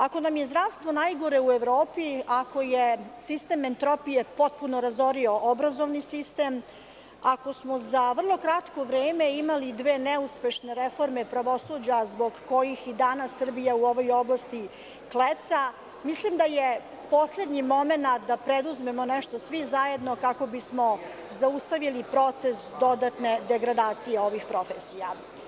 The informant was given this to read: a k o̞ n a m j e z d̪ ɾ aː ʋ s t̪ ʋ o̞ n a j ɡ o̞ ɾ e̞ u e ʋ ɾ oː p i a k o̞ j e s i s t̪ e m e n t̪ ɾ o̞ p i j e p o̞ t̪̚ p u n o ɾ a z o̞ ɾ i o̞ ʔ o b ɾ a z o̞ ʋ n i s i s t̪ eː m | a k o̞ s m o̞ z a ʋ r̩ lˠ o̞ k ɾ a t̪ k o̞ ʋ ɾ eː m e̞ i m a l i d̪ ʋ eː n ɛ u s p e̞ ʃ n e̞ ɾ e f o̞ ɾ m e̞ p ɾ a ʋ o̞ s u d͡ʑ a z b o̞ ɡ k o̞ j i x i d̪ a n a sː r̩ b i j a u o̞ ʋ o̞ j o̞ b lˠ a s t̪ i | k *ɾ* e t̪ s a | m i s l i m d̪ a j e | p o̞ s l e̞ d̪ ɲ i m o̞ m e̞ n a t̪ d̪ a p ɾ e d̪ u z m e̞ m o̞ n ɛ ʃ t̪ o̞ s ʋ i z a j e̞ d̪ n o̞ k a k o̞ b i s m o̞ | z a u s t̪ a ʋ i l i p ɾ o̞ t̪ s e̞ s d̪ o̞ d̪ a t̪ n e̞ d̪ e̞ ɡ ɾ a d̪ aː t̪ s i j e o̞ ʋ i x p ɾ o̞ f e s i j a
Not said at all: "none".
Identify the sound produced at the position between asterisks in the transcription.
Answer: l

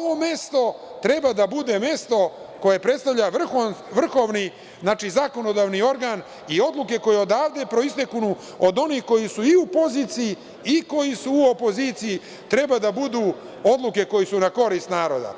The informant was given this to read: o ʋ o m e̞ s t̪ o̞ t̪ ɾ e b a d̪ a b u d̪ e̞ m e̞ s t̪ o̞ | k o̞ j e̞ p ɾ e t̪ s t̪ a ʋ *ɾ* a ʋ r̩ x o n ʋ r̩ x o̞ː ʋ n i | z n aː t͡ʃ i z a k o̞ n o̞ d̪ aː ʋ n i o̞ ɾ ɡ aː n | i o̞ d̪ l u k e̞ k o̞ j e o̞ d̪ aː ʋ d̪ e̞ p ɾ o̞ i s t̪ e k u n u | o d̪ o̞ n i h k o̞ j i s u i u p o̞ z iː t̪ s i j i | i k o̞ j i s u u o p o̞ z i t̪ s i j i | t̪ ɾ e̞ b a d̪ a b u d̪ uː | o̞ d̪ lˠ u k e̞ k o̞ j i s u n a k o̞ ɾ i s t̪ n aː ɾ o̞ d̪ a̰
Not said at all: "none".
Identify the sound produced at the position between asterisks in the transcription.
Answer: ʎ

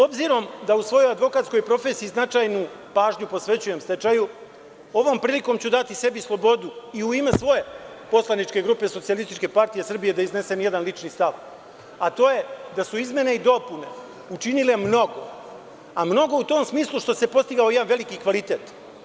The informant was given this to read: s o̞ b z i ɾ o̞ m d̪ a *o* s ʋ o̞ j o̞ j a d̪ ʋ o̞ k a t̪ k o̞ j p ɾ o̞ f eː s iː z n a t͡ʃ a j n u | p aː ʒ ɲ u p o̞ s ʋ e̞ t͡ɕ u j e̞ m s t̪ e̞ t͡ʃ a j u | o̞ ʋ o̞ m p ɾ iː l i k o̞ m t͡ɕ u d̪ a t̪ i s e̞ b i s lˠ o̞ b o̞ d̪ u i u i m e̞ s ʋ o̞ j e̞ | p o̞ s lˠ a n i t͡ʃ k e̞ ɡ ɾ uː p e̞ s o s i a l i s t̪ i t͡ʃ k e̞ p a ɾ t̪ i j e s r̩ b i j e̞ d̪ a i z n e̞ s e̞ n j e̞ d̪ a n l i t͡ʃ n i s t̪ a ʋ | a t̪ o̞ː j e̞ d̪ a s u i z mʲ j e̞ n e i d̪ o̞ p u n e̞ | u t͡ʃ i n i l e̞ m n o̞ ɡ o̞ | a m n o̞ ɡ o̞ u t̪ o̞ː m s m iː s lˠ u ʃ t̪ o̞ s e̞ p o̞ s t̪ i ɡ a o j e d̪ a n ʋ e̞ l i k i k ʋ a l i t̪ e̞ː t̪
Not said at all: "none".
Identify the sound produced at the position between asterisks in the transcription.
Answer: u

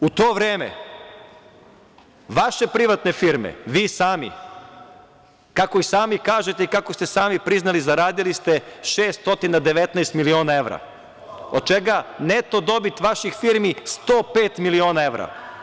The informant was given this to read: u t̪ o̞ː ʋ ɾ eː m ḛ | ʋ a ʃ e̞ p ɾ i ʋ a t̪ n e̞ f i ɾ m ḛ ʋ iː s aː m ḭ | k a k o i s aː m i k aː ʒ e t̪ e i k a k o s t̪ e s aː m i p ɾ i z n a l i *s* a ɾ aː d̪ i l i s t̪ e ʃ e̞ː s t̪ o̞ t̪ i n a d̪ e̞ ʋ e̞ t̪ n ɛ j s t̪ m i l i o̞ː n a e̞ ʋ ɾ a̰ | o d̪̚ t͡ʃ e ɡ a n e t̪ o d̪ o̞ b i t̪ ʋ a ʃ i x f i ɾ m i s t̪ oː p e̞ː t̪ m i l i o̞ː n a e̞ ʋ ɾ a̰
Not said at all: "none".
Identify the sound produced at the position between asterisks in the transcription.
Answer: z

